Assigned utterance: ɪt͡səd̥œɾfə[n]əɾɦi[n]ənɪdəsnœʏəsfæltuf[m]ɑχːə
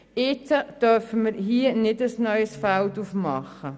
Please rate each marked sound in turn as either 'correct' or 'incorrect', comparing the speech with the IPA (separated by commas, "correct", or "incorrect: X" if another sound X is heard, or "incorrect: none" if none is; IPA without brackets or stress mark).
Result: incorrect: m, incorrect: none, correct